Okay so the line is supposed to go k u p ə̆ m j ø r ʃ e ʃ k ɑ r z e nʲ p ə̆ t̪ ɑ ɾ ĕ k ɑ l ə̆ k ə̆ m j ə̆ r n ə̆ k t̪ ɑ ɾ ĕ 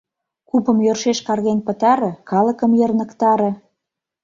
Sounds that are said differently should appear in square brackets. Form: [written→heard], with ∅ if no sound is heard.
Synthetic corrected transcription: k u p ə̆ m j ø r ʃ e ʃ k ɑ r [z→ɣ] e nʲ p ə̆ t̪ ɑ ɾ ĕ k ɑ l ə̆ k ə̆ m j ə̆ r n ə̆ k t̪ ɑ ɾ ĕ

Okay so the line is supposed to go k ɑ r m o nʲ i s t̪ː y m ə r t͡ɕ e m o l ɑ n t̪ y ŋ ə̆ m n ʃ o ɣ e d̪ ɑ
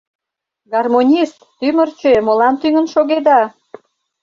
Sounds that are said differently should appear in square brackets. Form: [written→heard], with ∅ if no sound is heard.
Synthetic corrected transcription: [k→ɡ] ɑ r m o nʲ i s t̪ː y m ə r t͡ɕ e m o l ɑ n t̪ y ŋ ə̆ [m→∅] n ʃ o ɣ e d̪ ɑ

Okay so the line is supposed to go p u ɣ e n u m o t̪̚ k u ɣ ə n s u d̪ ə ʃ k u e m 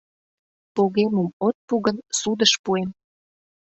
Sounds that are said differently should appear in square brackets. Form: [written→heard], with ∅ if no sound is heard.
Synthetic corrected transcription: p [u→o] ɣ e [n→m] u m o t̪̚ [k→p] u ɣ ə n s u d̪ ə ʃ [k→p] u e m

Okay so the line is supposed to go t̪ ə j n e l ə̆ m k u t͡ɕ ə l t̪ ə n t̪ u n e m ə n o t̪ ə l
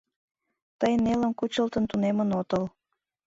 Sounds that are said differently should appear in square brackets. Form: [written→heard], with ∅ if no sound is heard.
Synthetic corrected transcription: t̪ ə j n e l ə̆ m k u t͡ɕ ə l t̪ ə n t̪ u n e m ə n o t̪ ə l

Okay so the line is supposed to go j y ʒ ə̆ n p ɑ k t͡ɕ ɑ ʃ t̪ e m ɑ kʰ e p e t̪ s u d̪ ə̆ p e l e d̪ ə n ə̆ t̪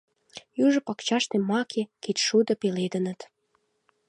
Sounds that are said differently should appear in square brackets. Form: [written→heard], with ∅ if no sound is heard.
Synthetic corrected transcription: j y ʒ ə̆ [n→∅] p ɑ k t͡ɕ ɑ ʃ t̪ e m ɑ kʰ e [p→k] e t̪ [s→ʃ] u d̪ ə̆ p e l e d̪ ə n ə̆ t̪

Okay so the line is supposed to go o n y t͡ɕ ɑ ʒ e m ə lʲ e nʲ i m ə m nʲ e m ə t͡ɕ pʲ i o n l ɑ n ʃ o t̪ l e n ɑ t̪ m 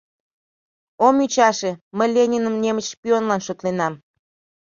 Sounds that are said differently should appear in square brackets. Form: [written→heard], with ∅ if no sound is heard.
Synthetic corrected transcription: o [n→m] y t͡ɕ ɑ [ʒ→ʃ] e m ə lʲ e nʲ i [m→n] ə m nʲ e m ə t͡ɕ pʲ i o n l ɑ n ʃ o t̪ l e n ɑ [t̪→∅] m

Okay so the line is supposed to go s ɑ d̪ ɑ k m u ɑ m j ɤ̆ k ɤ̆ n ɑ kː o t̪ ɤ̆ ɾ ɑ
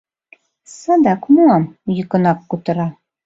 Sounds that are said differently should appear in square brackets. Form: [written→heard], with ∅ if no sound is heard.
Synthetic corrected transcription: s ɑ d̪ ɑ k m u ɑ m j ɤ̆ k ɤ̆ n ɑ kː [o→u] t̪ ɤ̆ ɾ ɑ

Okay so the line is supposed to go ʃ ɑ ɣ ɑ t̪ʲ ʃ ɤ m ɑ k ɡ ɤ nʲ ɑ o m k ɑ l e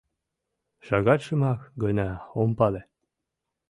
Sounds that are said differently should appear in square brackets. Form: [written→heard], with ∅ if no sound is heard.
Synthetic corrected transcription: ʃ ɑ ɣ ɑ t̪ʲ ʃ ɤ m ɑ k ɡ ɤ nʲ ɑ o m [k→p] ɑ l e

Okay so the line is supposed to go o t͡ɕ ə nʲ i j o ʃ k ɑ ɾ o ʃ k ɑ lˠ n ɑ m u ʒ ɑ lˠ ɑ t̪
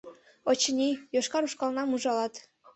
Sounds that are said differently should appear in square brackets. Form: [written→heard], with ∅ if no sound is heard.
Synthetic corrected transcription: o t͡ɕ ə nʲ i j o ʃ k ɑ ɾ [o→u] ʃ k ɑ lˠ n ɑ m u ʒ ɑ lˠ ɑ t̪

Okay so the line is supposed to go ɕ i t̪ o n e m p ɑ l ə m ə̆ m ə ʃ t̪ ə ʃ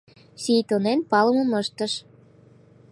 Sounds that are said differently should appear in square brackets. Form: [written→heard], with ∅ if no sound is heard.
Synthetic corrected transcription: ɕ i t̪ o n e [m→n] p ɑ l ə m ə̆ m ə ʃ t̪ ə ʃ

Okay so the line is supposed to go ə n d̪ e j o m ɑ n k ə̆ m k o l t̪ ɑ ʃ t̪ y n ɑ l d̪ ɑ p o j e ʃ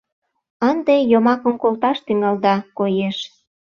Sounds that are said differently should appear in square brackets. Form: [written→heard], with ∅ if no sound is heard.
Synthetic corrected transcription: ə n d̪ e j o m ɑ [n→∅] k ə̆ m k o l t̪ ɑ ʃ t̪ y [n→ŋ] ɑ l d̪ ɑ [p→k] o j e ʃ

